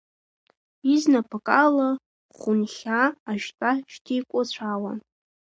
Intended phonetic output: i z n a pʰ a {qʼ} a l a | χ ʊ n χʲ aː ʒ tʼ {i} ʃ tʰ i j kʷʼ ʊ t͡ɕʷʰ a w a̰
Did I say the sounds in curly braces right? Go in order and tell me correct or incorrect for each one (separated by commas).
incorrect, incorrect